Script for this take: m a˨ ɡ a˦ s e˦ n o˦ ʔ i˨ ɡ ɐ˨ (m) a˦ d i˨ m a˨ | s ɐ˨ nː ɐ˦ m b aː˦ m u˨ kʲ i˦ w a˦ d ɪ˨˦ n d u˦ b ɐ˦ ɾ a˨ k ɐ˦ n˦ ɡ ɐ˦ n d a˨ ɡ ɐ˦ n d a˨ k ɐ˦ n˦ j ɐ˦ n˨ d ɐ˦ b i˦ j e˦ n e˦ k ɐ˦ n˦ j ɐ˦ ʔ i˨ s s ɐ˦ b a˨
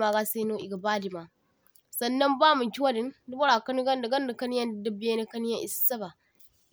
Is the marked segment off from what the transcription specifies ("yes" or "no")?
yes